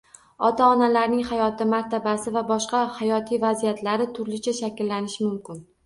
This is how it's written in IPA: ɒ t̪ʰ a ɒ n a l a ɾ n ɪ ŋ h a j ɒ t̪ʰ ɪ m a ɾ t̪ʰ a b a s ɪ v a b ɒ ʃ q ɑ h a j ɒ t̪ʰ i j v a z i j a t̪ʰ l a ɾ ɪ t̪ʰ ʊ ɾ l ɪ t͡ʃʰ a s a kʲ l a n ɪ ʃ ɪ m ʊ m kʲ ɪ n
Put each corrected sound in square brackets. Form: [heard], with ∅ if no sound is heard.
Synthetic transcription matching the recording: ɒ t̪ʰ a ɒ n a l a ɾ n ɪ ŋ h a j ɒ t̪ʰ ɪ m a ɾ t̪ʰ a b a s ɪ v a b ɒ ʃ q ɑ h a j ɒ t̪ʰ i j v a z i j a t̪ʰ l a ɾ ɪ t̪ʰ ʊ ɾ l ɪ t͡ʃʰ a [ʃ] a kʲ [lː] a n ɪ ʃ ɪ m ʊ m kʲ ɪ n

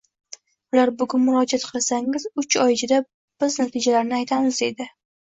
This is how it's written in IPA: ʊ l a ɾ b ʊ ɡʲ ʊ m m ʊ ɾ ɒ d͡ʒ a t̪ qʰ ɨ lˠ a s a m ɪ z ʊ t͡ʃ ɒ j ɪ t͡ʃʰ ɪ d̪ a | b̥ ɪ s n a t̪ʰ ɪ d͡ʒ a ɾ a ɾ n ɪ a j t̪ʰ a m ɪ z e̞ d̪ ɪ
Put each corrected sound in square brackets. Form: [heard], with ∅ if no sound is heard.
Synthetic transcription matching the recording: ʊ l a ɾ b ʊ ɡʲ ʊ [n] m ʊ ɾ ɒ d͡ʒ a t̪ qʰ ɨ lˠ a s a [ŋ] ɪ z ʊ t͡ʃ ɒ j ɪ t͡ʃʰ ɪ d̪ a | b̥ ɪ [z] n a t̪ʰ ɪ d͡ʒ a [l] a ɾ n ɪ a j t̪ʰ a m ɪ z e̞ d̪ ɪ

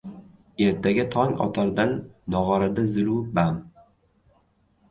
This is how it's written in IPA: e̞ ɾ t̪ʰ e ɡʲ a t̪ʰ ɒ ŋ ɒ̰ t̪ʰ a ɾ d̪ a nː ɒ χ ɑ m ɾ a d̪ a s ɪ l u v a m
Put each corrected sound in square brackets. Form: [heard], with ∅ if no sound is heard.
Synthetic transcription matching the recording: e̞ ɾ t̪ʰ [a] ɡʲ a t̪ʰ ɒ ŋ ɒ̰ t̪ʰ a ɾ d̪ a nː ɒ [ʁ] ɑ [∅] ɾ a d̪ a [z] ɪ l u [b] a m

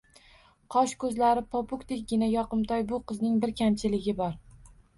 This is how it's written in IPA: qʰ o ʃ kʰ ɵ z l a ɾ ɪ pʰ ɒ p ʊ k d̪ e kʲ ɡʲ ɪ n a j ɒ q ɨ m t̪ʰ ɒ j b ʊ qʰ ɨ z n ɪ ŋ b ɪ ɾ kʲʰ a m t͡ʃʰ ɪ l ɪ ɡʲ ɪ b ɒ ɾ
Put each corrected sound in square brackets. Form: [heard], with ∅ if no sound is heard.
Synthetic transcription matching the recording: qʰ [ɒ] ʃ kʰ ɵ z l a ɾ ɪ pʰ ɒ p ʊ k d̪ e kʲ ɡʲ ɪ n a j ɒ q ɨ m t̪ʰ ɒ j b ʊ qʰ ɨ z n ɪ ŋ b ɪ ɾ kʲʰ a m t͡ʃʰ ɪ l ɪ ɡʲ ɪ b ɒ ɾ

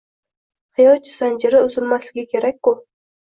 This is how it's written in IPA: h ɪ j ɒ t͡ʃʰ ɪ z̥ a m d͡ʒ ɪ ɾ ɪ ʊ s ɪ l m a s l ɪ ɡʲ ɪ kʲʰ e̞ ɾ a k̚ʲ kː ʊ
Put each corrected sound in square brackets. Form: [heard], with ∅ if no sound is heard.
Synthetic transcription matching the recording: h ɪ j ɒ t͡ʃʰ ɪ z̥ a [n] d͡ʒ ɪ ɾ ɪ ʊ [z] ɪ l m a s l ɪ ɡʲ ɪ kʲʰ e̞ ɾ a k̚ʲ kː ʊ

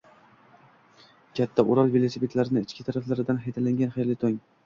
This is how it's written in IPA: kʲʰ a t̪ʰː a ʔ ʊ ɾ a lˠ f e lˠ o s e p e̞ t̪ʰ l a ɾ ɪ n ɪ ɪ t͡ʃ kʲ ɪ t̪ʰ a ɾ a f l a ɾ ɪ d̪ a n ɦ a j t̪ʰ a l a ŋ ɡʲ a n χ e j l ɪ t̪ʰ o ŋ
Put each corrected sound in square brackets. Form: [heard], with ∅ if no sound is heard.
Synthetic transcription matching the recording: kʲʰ a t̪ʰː a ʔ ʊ ɾ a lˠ [v] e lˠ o s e p e̞ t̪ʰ l a ɾ ɪ n ɪ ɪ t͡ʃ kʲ ɪ t̪ʰ a ɾ a f l a ɾ ɪ d̪ a n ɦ a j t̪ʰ a l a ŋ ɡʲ a n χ e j l ɪ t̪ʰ o ŋ

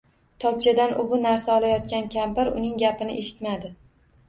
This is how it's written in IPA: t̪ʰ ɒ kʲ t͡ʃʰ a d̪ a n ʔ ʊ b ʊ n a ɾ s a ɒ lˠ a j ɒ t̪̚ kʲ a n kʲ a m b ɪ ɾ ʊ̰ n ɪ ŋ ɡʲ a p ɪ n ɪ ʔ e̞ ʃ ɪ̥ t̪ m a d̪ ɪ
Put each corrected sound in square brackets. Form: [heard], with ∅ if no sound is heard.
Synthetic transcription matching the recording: t̪ʰ ɒ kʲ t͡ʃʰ a d̪ a n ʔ ʊ b ʊ n a ɾ s a ɒ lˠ a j ɒ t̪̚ kʲ a n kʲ a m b ɪ ɾ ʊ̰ n ɪ ŋ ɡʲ a p ɪ n ɪ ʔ e̞ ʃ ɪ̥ t̪ m a d̪ ɪ

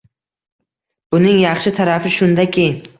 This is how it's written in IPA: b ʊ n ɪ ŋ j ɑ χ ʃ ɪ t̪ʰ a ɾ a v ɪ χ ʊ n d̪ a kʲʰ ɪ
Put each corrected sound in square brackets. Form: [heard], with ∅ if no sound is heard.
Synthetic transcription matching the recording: b ʊ n ɪ ŋ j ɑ χ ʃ ɪ t̪ʰ a ɾ a [f] ɪ [ʃ] ʊ n d̪ a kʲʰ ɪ

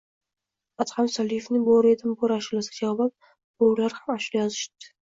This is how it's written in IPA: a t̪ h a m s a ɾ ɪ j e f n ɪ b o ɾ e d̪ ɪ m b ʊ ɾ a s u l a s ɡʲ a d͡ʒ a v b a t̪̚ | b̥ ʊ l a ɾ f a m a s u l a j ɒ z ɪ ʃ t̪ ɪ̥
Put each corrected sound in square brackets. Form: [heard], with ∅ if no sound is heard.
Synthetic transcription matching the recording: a t̪ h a m s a [l] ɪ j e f n ɪ b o ɾ e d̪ ɪ m b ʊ ɾ a [ʃ] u l a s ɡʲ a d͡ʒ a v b a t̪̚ | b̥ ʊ l a ɾ [h] a m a [ʃ] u l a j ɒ z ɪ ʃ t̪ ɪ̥

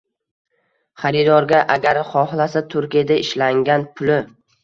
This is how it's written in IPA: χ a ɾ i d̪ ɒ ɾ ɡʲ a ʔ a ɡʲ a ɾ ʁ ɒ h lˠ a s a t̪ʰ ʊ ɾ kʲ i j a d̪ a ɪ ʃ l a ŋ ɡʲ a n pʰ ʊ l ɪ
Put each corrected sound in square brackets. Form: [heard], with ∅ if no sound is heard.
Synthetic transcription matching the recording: χ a ɾ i d̪ ɒ ɾ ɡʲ a ʔ a ɡʲ a ɾ [χ] ɒ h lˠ a s a t̪ʰ ʊ ɾ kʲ i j a d̪ a ɪ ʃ l a ŋ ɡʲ a n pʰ ʊ l ɪ

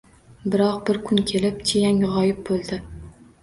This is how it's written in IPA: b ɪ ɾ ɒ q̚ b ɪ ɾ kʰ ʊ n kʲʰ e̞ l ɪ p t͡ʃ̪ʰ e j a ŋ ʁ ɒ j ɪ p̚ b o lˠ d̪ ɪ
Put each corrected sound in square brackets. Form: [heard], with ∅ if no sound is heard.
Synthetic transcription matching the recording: b ɪ ɾ ɒ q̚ b ɪ ɾ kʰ ʊ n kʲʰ e̞ l ɪ p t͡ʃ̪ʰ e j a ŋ ʁ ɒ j ɪ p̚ b o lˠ d̪ ɪ

